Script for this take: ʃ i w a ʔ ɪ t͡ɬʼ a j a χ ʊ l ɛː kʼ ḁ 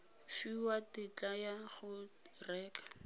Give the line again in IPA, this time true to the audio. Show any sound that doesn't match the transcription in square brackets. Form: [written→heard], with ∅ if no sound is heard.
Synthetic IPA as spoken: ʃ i w a [ʔ→t] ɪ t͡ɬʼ a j a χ ʊ [l→r] ɛː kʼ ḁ

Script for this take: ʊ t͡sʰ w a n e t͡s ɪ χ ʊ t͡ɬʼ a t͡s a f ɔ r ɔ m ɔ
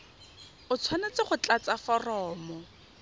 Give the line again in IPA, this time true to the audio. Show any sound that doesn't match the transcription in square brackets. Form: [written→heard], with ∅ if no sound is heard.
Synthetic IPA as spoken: ʊ t͡sʰ w a n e t͡s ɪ χ ʊ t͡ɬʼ a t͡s a f ɔ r [ɔ→ɔː] m ɔ

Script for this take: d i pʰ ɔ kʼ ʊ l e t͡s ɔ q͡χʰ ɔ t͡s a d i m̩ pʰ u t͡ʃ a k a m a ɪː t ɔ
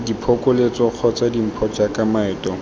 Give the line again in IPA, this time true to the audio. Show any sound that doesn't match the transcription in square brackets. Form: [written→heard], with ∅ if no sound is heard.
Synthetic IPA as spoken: d i pʰ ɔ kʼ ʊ l e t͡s ɔ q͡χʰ ɔ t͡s a d i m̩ pʰ [u→ɔ] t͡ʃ a k a m a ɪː t ɔ

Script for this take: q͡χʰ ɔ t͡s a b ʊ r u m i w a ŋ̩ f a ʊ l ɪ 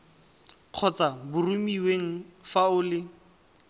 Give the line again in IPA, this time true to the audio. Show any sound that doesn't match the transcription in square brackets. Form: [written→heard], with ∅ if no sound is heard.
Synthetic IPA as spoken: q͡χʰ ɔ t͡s a b ʊ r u m i w [a→e] ŋ̩ f a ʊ l ɪ

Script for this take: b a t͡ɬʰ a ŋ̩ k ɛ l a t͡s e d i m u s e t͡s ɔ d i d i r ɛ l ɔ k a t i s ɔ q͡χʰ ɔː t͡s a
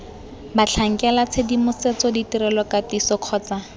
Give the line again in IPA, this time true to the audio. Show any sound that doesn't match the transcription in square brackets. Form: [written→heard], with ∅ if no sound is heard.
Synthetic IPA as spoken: b a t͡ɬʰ a ŋ̩ k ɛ l a [t͡s→t͡sʰ] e d i m [u→ʊ] s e t͡s ɔ d i [d→t] i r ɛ l ɔ k a t i s ɔ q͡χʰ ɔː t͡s a

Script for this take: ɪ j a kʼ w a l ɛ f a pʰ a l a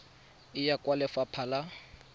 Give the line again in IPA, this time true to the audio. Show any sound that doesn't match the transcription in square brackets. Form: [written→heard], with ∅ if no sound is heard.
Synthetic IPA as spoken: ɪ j a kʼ w a l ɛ f a pʰ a l a

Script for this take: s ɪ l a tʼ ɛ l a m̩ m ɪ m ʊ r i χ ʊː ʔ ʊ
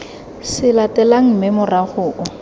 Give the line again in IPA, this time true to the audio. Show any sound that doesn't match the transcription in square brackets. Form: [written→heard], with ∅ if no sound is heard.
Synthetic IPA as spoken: s ɪ l a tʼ ɛ l a [m̩→ŋ̩] m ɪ m ʊ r [i→a] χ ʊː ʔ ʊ

